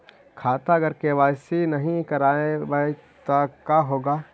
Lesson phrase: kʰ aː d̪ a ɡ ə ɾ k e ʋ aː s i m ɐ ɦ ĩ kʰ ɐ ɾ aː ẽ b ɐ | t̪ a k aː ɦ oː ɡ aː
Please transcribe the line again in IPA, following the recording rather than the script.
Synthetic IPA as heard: kʰ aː t̪ a ɡ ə ɾ k e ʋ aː s i n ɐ ɦ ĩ k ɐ ɾ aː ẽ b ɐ | t̪ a k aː ɦ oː ɡ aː